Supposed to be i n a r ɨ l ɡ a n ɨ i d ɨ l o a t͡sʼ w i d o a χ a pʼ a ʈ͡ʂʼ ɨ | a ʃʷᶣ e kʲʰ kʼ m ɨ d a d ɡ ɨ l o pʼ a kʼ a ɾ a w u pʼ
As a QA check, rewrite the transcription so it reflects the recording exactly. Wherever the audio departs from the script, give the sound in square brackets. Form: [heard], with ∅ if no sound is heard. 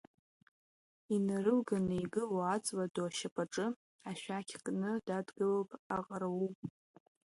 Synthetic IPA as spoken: i n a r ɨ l ɡ a n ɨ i [ɡ] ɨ l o a t͡sʼ w [a] d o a [ʃ] a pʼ a ʈ͡ʂʼ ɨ | a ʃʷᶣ [a] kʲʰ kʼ [n] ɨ d a d ɡ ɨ l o pʼ a [qʼ] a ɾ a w u pʼ